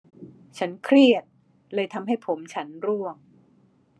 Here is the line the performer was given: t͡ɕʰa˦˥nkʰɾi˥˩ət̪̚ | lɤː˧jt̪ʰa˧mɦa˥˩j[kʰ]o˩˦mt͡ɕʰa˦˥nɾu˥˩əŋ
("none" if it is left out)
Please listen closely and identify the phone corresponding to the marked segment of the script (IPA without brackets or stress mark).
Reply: pʰ